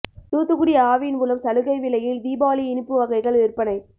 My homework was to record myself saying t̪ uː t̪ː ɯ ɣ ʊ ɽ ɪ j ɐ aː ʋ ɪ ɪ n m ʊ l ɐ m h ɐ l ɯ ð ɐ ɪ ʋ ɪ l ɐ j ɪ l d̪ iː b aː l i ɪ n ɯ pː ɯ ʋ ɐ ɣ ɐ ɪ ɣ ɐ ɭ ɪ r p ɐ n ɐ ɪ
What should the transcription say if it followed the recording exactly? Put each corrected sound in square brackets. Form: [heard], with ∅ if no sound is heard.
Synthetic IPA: t̪ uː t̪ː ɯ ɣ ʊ ɽ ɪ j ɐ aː ʋ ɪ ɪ n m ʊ l ɐ m [s] ɐ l ɯ [ɣ] ɐ ɪ ʋ ɪ l ɐ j ɪ l d̪ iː b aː l i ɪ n ɯ pː ɯ ʋ ɐ ɣ ɐ ɪ ɣ ɐ ɭ ɪ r p ɐ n ɐ ɪ